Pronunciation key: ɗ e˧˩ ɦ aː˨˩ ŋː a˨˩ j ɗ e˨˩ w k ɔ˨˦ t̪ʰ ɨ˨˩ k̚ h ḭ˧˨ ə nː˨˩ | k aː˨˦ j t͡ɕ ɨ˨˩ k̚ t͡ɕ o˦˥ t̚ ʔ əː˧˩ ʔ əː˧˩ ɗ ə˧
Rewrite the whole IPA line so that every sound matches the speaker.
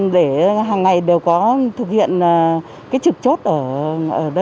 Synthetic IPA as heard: ɗ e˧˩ ɦ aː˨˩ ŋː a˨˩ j ɗ e˨˩ w k ɔ˨˦ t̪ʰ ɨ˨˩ k̚ h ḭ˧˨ ə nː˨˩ | k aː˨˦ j t͡ɕ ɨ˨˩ k̚ t͡ɕ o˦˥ t̚ ʔ əː˧˩ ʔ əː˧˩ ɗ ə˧